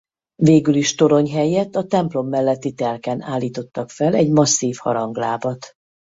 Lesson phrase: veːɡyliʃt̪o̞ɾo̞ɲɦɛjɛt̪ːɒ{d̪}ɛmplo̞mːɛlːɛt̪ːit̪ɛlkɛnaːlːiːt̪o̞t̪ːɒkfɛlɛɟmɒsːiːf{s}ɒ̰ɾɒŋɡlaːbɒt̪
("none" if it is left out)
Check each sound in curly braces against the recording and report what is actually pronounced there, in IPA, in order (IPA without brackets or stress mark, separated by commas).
t̪, h